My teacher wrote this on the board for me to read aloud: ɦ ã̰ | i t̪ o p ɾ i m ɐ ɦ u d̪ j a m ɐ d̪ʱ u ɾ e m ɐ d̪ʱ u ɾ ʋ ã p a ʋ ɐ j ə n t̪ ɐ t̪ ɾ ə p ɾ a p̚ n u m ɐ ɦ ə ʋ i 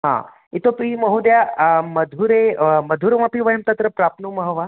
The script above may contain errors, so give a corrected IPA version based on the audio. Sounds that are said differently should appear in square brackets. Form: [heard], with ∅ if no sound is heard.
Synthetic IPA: ɦ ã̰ | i t̪ o p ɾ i m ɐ ɦ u d̪ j a m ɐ d̪ʱ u ɾ e m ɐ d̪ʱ u ɾ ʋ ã p [i] ʋ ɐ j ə [m] t̪ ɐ t̪ ɾ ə p ɾ a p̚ n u m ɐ ɦ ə ʋ [a]